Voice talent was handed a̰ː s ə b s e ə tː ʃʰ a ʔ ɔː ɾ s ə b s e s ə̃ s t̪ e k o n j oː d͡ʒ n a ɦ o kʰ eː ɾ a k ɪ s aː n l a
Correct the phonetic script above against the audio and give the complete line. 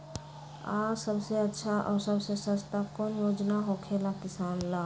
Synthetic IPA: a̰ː s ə b s e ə tː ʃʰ a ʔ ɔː ɾ s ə b s e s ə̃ s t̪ a k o n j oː d͡ʒ n a ɦ o kʰ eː l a k ɪ s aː n l a